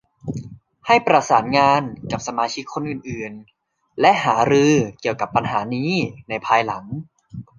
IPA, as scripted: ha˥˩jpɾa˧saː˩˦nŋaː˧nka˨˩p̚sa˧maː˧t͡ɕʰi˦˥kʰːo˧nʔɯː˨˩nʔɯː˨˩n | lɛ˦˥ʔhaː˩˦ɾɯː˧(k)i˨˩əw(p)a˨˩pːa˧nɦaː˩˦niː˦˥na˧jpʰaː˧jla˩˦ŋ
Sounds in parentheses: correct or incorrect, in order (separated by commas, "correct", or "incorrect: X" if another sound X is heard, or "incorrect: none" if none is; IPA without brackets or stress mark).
correct, incorrect: k